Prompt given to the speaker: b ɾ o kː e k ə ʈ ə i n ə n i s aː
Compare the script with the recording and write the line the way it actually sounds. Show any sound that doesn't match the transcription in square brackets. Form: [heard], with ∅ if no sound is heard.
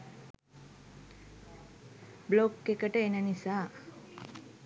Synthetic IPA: b [l] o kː e k ə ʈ ə [e] n ə n i s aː

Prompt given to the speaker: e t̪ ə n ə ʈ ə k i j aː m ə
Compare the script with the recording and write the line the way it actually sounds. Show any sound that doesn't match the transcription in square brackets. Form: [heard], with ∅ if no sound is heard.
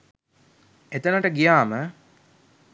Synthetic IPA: e t̪ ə n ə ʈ ə [ɡ] i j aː m ə

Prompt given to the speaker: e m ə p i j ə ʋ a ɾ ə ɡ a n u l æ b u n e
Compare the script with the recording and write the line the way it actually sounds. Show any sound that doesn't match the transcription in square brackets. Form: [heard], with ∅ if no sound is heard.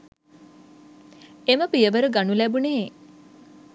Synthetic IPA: e m ə p i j ə ʋ [ə] ɾ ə ɡ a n u l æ b u n e

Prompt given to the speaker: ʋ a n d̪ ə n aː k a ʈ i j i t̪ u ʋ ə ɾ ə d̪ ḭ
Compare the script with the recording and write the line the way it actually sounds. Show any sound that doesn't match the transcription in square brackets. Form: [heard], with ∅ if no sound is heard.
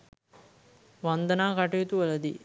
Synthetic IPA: ʋ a n d̪ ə n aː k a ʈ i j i t̪ u ʋ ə [l] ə d̪ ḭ

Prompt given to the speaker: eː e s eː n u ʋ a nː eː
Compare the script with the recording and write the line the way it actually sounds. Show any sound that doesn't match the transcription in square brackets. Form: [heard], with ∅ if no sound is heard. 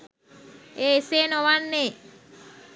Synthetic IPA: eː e s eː n [o] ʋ a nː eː

